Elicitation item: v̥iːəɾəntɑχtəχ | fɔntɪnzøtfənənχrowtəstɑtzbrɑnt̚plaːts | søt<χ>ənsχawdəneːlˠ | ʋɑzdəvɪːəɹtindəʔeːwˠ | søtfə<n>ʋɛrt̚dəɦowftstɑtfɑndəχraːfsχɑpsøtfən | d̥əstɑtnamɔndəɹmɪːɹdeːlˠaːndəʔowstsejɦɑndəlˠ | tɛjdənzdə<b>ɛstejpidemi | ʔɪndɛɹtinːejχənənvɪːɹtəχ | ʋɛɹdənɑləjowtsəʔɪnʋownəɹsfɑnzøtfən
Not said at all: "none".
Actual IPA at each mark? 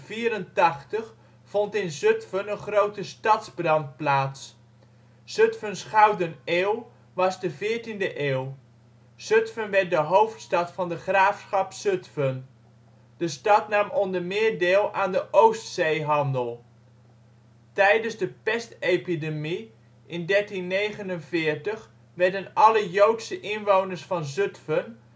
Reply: f, n, p

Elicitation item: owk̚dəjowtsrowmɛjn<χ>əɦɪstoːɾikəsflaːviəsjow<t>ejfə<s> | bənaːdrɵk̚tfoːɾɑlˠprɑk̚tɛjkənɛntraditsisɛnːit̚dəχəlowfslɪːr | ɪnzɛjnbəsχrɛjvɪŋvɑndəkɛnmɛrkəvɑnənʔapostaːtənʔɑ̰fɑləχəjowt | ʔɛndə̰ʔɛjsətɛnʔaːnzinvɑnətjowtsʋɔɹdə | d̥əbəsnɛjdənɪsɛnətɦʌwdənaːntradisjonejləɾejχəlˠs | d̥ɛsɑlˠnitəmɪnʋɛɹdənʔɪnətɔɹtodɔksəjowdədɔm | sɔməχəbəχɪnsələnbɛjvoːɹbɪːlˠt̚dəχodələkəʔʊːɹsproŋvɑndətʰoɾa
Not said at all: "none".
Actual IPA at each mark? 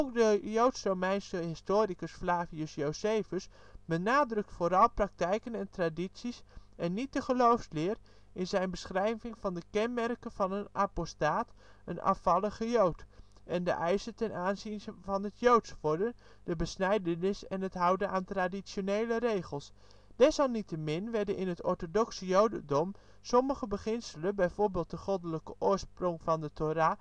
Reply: s, s, s

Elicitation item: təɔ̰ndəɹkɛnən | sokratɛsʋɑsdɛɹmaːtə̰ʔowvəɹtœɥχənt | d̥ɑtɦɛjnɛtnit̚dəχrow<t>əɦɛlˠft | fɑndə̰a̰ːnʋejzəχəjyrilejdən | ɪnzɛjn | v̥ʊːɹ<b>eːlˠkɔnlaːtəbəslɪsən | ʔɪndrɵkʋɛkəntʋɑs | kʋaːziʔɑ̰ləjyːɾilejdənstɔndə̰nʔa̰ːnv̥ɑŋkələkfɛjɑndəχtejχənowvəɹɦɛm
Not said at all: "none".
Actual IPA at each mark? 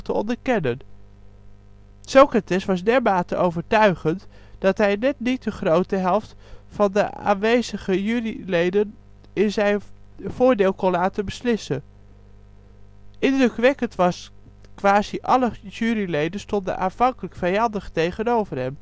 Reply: t, d

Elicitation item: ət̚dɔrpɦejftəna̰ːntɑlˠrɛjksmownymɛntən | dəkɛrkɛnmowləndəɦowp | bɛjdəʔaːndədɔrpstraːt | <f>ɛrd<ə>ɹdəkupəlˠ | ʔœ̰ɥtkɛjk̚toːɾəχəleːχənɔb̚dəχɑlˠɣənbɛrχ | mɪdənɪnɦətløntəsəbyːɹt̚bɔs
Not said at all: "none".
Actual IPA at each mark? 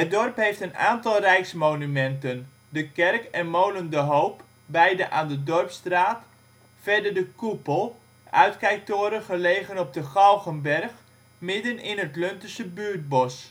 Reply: f, ə

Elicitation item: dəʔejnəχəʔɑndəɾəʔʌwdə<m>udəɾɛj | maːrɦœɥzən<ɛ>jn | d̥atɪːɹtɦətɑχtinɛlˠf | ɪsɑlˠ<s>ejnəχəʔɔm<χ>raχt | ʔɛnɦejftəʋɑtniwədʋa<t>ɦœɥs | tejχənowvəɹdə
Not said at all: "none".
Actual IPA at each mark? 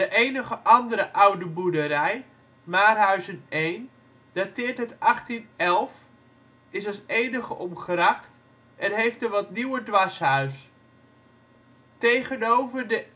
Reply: b, e, s, χ, s

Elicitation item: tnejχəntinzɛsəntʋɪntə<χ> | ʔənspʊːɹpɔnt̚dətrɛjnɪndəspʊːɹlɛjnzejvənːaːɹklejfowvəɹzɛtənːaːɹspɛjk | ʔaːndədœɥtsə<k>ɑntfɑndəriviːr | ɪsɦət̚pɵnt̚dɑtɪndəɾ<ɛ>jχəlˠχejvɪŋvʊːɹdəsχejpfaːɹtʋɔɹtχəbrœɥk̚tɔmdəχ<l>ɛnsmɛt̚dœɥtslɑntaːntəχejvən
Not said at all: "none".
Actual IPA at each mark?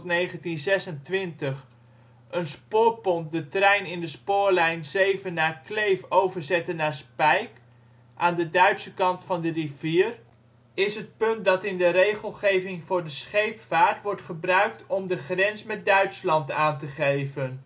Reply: χ, k, e, r

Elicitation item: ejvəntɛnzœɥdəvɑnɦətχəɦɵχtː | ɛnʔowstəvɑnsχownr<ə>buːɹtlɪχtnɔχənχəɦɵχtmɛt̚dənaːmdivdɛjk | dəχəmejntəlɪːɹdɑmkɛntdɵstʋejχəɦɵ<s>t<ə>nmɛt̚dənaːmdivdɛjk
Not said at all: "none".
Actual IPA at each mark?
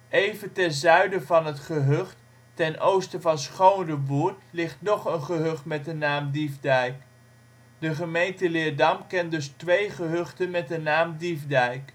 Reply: ə, χ, ə

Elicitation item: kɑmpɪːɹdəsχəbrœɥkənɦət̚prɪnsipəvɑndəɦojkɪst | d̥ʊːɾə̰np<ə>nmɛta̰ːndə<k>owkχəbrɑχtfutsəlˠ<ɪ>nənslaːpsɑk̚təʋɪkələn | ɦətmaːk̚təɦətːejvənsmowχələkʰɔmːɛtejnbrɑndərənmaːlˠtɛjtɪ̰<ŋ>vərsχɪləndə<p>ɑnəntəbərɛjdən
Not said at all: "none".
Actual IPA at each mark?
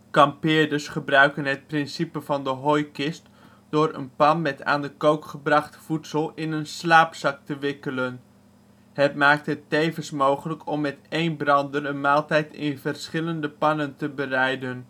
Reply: ɑ, k, ɪ, n, p

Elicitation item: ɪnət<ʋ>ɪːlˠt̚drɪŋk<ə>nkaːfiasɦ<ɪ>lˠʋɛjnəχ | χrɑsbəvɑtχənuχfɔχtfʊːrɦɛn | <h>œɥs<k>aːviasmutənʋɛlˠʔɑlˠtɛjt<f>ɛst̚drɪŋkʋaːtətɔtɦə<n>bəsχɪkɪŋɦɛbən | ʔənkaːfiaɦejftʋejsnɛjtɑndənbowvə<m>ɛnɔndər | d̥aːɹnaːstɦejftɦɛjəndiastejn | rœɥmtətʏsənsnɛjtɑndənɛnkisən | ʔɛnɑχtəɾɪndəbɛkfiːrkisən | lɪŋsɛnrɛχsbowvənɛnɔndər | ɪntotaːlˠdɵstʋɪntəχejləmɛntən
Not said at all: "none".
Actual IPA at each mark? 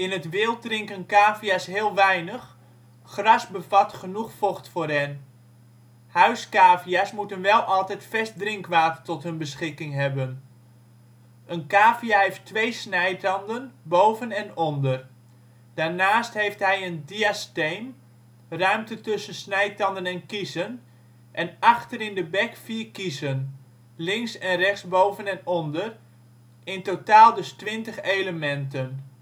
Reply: ʋ, ə, ɪː, h, k, f, n, n

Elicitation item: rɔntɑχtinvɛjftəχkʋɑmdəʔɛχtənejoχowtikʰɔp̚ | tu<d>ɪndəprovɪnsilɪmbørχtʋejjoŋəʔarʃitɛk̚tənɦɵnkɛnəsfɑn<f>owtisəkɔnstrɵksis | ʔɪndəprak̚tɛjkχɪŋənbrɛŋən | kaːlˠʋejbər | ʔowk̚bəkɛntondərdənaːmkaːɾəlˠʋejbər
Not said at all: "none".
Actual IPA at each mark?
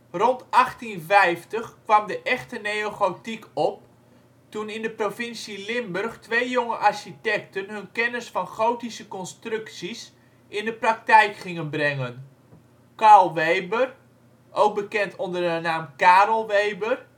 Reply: n, χ

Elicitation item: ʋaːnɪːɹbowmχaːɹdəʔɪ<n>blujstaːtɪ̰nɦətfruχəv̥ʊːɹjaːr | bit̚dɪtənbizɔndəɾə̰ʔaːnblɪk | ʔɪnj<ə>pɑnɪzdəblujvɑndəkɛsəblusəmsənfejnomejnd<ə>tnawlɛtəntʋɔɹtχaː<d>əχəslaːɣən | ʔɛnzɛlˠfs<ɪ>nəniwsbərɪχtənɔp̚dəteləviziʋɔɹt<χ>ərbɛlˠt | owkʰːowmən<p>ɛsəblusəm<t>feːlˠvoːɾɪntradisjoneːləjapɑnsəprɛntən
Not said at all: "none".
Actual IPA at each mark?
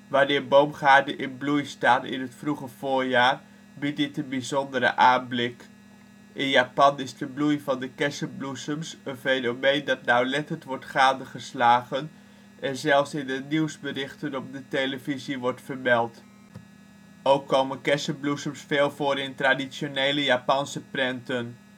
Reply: n, a, ɑ, d, ɪ, f, k, s

